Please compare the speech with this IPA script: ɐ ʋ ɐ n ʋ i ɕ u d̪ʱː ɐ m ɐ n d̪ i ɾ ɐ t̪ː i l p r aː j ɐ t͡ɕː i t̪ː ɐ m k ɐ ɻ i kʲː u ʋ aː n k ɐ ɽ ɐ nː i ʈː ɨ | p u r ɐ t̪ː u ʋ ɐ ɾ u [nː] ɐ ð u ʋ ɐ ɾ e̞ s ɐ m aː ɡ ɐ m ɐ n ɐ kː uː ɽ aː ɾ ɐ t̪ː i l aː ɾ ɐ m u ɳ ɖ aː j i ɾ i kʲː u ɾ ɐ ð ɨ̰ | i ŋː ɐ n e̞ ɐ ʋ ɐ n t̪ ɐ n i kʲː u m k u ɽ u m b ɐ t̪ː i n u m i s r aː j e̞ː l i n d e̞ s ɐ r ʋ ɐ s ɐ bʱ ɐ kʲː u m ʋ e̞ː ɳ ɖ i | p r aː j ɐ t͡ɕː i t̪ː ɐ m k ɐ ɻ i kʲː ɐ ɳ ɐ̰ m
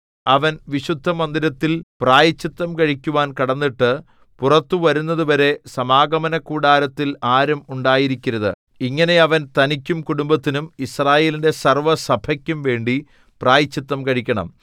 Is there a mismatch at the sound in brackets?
no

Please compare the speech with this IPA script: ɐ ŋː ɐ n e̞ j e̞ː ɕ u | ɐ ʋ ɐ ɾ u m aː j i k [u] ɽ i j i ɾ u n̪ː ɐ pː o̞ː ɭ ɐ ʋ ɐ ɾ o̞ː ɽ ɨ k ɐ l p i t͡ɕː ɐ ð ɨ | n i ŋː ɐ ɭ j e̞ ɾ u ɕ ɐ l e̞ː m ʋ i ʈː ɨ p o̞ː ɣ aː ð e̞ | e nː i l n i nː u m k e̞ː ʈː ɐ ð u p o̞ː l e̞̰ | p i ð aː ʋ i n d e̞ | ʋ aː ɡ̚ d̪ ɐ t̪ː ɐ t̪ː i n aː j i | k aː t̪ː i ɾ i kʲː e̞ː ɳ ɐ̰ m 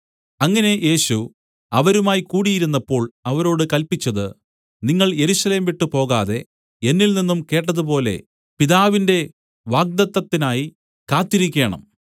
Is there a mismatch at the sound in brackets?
yes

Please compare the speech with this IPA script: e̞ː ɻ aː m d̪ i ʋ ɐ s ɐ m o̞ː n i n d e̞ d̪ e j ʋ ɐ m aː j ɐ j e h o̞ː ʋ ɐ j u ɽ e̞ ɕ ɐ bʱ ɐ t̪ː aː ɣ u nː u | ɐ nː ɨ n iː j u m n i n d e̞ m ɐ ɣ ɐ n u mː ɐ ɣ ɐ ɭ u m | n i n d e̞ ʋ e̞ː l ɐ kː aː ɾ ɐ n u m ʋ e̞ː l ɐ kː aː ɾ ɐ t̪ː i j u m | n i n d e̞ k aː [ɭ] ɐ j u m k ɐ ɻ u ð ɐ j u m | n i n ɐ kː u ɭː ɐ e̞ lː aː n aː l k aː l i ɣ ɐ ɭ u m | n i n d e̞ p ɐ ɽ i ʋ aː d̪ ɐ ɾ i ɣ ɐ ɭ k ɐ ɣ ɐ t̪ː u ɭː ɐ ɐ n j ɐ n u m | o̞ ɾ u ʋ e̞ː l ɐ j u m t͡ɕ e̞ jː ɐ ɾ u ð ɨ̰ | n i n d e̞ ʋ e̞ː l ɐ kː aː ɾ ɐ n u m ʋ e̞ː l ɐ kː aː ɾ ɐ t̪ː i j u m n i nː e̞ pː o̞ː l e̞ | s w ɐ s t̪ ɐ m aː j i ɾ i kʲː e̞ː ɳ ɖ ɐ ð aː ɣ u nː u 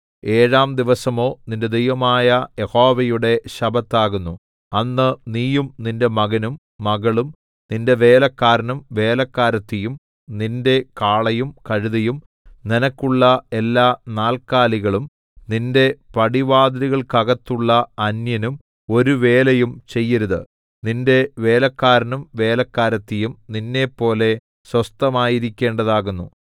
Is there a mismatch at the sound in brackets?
no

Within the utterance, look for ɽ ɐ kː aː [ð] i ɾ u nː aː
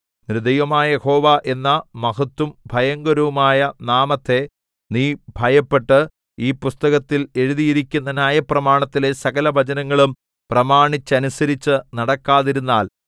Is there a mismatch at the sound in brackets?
no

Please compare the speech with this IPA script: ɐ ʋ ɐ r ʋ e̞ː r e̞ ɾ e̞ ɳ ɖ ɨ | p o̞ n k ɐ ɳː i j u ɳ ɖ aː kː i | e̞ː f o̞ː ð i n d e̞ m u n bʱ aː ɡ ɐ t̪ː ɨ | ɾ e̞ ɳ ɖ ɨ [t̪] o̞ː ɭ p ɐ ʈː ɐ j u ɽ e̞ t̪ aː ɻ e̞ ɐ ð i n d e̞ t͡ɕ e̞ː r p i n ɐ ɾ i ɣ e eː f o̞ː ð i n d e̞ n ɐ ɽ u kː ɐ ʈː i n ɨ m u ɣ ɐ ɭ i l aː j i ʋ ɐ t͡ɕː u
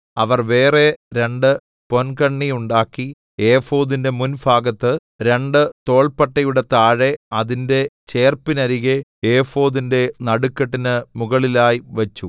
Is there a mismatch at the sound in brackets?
no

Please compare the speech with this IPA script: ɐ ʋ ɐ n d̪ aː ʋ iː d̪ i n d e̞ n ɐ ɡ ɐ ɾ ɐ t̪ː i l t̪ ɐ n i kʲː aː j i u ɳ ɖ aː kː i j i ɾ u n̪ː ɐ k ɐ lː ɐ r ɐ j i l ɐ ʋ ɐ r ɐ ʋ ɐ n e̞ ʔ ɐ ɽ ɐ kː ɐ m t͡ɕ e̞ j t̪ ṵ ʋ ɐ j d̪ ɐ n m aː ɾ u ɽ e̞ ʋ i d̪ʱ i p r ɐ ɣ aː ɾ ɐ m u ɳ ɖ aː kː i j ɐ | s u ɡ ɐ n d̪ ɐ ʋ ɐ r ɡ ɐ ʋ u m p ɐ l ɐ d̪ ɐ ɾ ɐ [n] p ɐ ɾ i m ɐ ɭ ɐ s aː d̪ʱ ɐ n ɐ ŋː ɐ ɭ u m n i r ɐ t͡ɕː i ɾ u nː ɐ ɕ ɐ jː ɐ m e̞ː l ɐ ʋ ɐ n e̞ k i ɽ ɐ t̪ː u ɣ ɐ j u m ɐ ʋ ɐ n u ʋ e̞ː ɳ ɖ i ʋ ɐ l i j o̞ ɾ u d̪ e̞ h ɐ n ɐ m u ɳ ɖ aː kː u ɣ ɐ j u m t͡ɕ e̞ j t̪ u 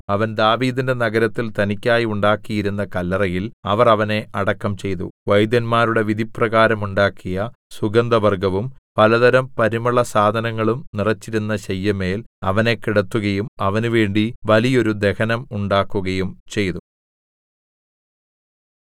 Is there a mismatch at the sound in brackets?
yes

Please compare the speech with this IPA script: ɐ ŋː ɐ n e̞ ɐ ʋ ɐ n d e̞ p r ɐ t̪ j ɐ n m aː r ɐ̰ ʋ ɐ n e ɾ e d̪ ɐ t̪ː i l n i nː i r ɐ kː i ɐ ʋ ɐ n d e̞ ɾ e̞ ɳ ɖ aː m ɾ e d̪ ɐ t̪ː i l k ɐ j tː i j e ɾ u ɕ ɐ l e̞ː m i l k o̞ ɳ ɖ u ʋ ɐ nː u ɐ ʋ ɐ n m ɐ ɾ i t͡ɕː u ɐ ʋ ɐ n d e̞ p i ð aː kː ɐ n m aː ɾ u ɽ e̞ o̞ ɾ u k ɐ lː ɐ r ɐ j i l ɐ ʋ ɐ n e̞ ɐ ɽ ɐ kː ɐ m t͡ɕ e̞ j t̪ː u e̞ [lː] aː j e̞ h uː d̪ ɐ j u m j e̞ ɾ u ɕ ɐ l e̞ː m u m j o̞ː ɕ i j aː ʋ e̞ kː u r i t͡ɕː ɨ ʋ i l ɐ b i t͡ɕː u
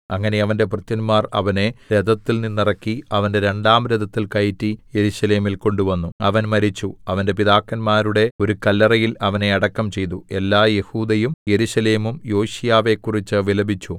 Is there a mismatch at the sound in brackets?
no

